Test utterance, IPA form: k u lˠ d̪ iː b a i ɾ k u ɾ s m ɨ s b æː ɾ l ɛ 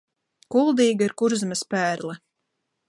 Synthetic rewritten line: k u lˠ d̪ iː ɡ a i ɾ k u ɾ z m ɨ s p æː ɾ l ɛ